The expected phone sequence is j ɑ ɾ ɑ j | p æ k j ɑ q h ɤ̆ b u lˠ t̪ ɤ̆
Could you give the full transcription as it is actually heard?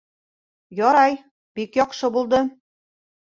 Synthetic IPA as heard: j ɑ ɾ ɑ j | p i k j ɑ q ʃ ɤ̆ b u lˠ d̪ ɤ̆